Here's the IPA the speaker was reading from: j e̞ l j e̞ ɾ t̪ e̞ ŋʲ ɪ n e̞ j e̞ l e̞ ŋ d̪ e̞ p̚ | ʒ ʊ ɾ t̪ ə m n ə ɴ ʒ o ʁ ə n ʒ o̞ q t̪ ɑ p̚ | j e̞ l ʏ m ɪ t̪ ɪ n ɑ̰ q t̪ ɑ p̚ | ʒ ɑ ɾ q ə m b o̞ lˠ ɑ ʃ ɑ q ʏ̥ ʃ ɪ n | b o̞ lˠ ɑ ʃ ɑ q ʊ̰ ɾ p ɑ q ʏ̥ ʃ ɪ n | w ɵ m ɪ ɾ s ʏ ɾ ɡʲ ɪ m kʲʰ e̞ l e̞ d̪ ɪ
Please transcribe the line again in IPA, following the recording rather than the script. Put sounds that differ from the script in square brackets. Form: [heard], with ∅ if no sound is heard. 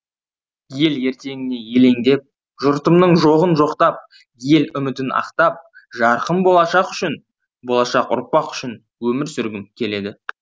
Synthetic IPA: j e̞ l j e̞ ɾ t̪ e̞ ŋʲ ɪ n e̞ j e̞ l e̞ ŋ d̪ e̞ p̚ | ʒ ʊ ɾ t̪ ə m n ə ɴ ʒ o ʁ ə n ʒ o̞ q t̪ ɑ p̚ | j e̞ l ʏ m ɪ t̪ ɪ n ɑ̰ q t̪ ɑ p̚ | ʒ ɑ ɾ q ə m b o̞ lˠ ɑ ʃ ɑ q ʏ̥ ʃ ɪ n | b o̞ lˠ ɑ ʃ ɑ q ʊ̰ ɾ p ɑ q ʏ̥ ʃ ɪ n | w ɵ m ɪ ɾ s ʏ ɾ ɡʲ ɪ m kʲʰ e̞ l e̞ d̪ ɪ